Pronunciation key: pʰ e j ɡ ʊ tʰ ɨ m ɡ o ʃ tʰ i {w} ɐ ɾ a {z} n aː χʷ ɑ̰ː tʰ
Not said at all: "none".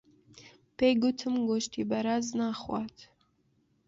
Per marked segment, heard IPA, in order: b, z

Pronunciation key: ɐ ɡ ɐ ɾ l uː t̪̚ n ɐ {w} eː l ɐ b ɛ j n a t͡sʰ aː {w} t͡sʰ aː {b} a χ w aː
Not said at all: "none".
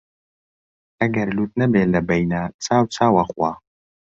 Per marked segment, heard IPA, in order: b, w, w

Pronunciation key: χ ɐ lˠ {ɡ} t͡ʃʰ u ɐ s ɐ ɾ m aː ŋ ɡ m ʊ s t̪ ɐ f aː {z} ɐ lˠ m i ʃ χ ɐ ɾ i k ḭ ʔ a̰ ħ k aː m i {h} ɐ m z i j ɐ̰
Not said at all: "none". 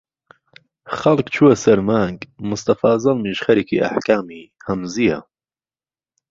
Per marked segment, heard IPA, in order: k, z, h

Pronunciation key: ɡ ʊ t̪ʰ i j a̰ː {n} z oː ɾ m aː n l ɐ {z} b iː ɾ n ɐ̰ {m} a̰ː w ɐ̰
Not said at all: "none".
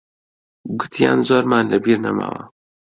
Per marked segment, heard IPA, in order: n, none, m

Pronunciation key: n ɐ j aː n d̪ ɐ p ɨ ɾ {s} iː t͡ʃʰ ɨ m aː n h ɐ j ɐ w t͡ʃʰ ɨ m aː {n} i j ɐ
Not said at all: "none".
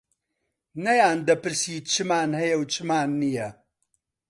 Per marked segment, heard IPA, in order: s, nː

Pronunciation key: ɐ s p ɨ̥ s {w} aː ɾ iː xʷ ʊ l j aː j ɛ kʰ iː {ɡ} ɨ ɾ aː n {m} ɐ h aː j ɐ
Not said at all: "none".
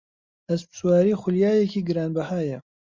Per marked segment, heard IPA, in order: w, ɡ, b

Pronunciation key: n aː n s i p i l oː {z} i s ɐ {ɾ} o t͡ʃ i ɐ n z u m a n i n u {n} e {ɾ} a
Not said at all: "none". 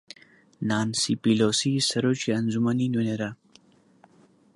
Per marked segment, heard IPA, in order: s, ɾ, n, ɾ

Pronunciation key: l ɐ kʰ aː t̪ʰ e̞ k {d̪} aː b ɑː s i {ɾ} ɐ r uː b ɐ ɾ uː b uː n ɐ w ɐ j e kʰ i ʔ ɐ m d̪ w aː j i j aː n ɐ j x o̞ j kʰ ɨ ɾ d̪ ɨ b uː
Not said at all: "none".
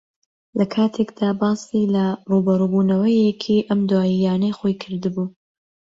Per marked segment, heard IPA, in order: d̪, l

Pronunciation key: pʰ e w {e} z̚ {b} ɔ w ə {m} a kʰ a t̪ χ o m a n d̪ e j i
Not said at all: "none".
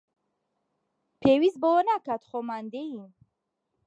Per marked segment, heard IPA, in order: i, b, n

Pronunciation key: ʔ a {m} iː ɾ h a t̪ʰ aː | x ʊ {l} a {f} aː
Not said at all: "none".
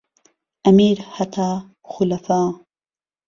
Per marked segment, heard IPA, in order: m, l, f

